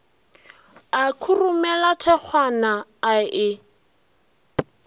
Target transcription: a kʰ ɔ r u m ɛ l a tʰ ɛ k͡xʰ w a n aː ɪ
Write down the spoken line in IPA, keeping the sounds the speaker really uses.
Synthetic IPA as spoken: a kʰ u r u m ɛ l a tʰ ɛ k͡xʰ w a n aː ɪ